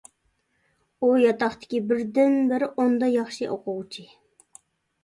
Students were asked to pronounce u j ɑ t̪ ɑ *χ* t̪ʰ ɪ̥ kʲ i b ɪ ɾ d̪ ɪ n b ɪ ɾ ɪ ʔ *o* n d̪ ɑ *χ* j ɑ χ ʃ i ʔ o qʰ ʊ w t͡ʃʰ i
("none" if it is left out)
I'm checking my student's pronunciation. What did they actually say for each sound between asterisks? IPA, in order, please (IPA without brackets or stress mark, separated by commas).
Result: χ, o, none